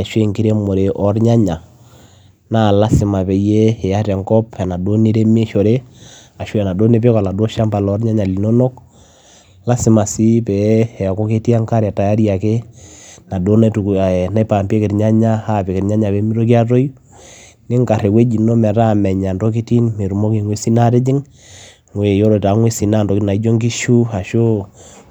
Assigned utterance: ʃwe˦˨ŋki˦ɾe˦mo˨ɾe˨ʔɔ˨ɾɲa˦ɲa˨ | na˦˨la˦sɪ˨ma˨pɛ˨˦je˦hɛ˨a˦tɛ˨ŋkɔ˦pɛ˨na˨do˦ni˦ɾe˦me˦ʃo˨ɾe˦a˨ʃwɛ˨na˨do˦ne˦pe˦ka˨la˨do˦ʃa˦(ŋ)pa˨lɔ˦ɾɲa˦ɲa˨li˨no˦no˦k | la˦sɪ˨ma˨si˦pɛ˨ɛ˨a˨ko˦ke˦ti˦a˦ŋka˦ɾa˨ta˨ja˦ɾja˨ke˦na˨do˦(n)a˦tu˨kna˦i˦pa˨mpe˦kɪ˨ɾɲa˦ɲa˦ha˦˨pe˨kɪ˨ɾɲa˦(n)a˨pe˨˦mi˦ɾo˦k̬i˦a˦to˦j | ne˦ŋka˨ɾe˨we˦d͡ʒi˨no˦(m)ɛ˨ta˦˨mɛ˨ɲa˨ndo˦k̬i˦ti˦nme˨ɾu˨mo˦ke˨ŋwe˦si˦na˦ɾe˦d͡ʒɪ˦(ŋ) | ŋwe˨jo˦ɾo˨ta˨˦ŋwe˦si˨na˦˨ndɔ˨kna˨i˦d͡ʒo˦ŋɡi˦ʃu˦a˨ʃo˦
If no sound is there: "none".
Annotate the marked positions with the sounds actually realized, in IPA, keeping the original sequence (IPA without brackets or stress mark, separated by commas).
m, n, ɲ, m, ŋ